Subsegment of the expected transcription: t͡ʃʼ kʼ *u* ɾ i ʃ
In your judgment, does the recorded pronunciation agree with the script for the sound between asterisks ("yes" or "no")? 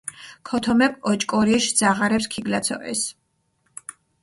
no